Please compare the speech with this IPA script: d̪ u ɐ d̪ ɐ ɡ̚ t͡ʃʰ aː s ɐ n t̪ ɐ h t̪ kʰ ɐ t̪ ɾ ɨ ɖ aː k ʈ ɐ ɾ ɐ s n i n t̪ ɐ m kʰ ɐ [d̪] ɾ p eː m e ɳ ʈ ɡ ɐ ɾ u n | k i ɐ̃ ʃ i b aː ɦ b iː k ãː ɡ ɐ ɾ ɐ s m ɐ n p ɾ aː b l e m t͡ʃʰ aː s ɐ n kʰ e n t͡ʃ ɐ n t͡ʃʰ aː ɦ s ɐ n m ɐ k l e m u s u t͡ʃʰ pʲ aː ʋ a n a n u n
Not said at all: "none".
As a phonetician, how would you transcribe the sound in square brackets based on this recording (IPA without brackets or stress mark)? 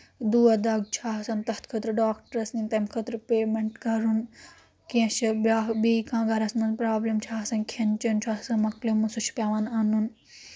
t̪